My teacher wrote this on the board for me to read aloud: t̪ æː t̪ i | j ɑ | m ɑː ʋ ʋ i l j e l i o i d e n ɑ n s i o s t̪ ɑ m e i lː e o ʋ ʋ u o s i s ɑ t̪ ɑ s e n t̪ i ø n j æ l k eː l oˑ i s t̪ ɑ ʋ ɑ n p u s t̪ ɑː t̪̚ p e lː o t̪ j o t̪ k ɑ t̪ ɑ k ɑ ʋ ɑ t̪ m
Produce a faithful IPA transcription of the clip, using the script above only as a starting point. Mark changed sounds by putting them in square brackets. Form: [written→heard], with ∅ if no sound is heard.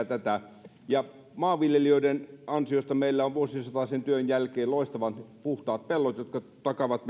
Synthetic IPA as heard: t̪ [æː→æ] t̪ [i→æ] | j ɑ | m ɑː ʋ ʋ i l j e l i o i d e n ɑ n s i o s t̪ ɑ m e i lː [e→æ] o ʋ ʋ u o s i s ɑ t̪ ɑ s e n t̪ [i→y] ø n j æ l k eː l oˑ i s t̪ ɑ ʋ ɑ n p u [s→h] t̪ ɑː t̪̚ p e lː o t̪ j o t̪ k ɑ t̪ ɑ k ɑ ʋ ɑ t̪ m